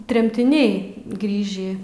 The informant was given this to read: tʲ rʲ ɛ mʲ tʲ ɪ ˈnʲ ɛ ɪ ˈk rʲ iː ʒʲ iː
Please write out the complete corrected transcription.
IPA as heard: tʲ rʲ ɛ mʲ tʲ ɪ ˈnʲ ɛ ɪ ˈɡ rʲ iː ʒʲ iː